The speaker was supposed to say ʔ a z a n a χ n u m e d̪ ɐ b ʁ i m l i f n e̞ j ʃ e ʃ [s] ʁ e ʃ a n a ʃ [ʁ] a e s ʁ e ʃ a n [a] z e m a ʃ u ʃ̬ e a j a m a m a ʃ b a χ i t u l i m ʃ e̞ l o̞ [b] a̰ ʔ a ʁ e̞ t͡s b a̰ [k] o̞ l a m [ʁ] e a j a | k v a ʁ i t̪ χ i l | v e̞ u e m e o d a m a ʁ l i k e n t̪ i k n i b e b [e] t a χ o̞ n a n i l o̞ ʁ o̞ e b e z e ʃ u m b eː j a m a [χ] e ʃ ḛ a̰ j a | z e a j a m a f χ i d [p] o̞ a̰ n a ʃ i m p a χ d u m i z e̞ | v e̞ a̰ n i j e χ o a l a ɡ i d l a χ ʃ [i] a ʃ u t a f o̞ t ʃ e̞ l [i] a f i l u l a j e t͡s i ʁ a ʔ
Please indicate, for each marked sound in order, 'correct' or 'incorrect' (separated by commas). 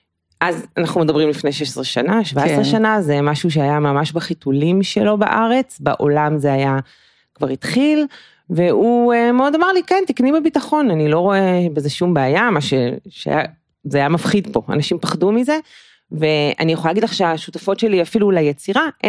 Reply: correct, incorrect, correct, correct, incorrect, incorrect, incorrect, incorrect, correct, incorrect, correct